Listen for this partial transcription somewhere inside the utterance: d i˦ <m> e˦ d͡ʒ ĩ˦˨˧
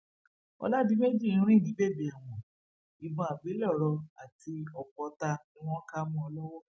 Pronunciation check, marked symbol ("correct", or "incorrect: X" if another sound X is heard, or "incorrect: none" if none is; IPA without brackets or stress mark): correct